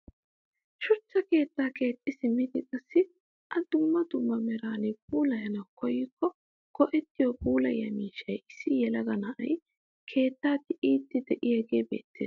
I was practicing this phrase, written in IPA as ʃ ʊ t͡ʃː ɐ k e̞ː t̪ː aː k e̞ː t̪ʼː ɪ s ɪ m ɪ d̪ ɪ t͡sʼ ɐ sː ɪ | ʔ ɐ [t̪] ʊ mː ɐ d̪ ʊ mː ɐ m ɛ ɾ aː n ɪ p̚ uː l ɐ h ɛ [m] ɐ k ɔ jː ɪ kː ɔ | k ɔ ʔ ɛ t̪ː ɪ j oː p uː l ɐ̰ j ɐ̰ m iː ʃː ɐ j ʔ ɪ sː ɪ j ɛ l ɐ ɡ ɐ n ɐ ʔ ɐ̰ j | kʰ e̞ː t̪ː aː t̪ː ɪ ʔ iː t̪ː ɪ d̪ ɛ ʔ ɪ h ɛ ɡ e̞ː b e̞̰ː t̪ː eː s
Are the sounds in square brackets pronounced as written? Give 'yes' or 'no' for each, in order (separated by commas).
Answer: no, no